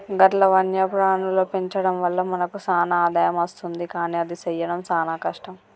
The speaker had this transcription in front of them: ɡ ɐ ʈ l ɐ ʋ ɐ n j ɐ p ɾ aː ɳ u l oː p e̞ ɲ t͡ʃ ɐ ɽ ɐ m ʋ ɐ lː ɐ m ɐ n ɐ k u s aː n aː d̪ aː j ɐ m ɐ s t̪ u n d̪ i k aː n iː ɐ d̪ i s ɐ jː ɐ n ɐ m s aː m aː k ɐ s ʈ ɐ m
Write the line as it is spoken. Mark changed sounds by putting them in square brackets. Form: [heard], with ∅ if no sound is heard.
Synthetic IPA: ɡ ɐ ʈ l ɐ ʋ ɐ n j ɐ p ɾ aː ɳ u l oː p e̞ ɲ t͡ʃ ɐ ɽ ɐ m ʋ ɐ lː ɐ m ɐ n ɐ k u s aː n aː d̪ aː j ɐ m ɐ s t̪ u n d̪ i k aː n iː ɐ d̪ i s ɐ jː ɐ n ɐ m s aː [n] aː k ɐ [ʂ] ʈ ɐ m

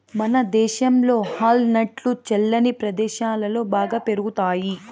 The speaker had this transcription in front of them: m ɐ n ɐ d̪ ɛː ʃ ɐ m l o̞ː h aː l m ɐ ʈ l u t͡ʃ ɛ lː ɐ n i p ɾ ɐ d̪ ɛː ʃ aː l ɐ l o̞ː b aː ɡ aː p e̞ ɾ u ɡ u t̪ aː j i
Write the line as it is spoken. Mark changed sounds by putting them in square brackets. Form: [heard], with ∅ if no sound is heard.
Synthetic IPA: m ɐ n ɐ d̪ ɛː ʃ ɐ m l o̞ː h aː l [n] ɐ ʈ l u t͡ʃ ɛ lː ɐ n i p ɾ ɐ d̪ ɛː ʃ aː l ɐ l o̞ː b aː ɡ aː p e̞ ɾ u ɡ u t̪ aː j i

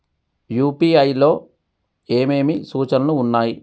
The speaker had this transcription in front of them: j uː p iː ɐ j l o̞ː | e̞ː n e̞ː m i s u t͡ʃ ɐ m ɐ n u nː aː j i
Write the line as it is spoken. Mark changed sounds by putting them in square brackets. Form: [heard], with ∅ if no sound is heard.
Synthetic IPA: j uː p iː ɐ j l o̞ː | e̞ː [m] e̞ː m i s [uː] t͡ʃ ɐ [n] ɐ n [uː] nː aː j i

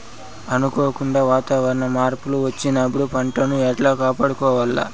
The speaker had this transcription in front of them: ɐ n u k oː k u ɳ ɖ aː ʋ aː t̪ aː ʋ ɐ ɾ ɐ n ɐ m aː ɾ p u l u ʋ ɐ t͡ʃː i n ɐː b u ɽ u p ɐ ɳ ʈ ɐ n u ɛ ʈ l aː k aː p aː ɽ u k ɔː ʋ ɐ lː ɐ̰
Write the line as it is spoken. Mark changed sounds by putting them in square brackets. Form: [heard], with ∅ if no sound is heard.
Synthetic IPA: ɐ n u k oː k u ɳ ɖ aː ʋ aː t̪ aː ʋ ɐ ɾ ɐ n ɐ m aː ɾ p u l u ʋ ɐ t͡ʃː i n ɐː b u ɽ u p ɐ ɳ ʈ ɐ n u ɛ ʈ l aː k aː p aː ɽ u k ɔː ʋ ɐ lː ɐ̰

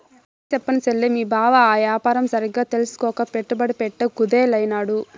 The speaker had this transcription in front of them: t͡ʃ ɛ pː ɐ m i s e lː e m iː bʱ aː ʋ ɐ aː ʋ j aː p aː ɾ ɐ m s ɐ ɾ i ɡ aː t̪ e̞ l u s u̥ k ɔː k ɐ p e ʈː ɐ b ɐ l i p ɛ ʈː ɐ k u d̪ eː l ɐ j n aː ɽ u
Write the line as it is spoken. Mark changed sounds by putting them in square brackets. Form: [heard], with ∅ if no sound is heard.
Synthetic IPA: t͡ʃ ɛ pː ɐ [n] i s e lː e m iː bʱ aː ʋ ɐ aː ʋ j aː p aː ɾ ɐ m s ɐ ɾ i ɡ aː t̪ e̞ l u s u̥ k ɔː k ɐ p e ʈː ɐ b ɐ [ɽ] i p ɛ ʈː ɐ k u d̪ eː l ɐ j n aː ɽ u

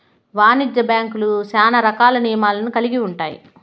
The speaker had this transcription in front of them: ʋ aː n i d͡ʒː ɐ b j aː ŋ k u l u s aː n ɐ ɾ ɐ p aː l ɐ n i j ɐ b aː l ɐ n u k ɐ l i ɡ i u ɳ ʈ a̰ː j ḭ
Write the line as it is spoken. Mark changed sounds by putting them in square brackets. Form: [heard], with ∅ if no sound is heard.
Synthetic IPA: ʋ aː n i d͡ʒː ɐ b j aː ŋ k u l u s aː n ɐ ɾ ɐ [k] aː l ɐ n i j ɐ [m] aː l ɐ n u k ɐ l i ɡ i u ɳ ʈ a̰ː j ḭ

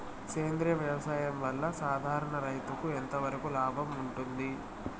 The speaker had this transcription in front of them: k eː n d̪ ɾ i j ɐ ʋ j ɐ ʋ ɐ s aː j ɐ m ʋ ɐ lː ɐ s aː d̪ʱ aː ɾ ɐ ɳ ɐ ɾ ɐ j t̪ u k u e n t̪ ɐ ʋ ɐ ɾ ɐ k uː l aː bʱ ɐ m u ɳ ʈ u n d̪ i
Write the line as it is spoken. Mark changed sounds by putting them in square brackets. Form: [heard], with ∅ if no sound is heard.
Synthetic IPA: k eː n d̪ ɾ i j ɐ ʋ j ɐ ʋ ɐ s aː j ɐ m ʋ ɐ lː ɐ s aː d̪ʱ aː ɾ ɐ ɳ ɐ ɾ ɐ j t̪ u k u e n t̪ ɐ ʋ ɐ ɾ ɐ k [u] l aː bʱ ɐ m u ɳ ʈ u n d̪ i

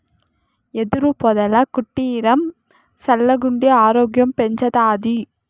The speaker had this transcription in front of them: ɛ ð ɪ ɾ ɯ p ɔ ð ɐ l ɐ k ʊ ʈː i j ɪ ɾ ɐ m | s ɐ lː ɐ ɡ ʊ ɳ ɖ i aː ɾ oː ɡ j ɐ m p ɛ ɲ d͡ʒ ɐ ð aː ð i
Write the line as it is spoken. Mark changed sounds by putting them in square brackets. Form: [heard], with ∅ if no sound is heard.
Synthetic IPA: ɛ ð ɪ ɾ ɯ p ɔ ð ɐ l ɐ k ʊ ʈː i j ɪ ɾ ɐ m | s ɐ lː ɐ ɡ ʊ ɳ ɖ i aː ɾ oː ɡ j ɐ m p ɛ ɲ d͡ʒ ɐ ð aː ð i

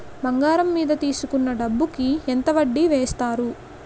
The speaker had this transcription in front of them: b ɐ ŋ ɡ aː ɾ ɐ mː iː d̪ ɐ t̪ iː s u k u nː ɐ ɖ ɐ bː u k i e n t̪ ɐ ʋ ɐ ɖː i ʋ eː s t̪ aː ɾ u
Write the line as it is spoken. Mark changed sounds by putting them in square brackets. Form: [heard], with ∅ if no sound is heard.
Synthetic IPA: b ɐ ŋ ɡ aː ɾ ɐ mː iː d̪ ɐ t̪ iː s u k u nː ɐ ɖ ɐ bː u k i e n t̪ ɐ ʋ ɐ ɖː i ʋ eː s t̪ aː ɾ u

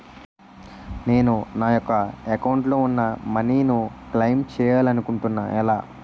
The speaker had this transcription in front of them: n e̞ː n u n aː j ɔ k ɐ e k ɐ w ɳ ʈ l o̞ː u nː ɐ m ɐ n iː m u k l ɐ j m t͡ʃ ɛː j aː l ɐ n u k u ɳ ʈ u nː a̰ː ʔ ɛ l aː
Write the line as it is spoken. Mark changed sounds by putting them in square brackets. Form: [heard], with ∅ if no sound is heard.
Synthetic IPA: n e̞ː n u n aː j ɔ k ɐ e k ɐ w ɳ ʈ l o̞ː u nː ɐ m ɐ n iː [n] u k l ɐ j m t͡ʃ ɛː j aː l ɐ n u k u ɳ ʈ u nː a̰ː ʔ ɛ l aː

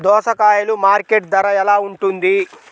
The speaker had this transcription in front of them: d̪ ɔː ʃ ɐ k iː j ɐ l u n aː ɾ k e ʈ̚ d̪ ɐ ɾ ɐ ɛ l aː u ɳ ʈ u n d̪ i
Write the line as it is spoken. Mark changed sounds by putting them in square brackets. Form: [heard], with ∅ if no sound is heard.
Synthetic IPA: d̪ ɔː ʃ ɐ k [aː] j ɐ l u [m] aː ɾ k e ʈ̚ d̪ ɐ ɾ ɐ ɛ l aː u ɳ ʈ u n d̪ i

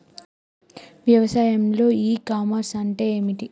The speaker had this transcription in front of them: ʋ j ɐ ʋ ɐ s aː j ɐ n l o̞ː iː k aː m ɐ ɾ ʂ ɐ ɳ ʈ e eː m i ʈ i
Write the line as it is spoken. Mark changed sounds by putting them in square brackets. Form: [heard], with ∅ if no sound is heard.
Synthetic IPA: ʋ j ɐ ʋ ɐ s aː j ɐ [m] l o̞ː iː k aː m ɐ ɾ [s] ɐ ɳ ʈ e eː m i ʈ i

